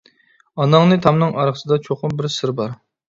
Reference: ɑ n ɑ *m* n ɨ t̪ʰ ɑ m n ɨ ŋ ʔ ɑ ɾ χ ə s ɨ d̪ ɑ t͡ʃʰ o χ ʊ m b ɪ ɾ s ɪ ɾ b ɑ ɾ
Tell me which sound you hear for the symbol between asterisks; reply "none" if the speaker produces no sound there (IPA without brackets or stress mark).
ŋ